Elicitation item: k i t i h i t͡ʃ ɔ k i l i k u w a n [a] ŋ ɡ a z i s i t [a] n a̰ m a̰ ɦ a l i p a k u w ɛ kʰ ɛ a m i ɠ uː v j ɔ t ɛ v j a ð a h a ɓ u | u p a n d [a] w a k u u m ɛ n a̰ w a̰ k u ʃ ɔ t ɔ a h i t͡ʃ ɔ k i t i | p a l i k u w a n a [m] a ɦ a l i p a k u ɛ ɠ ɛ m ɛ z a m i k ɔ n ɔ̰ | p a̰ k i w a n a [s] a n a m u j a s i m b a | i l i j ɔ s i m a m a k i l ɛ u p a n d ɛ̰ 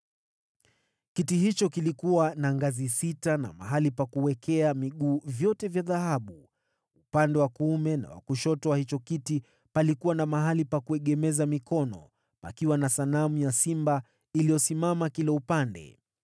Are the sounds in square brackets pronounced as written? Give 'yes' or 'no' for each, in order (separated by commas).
yes, yes, no, yes, yes